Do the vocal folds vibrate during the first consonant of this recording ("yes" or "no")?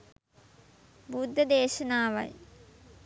yes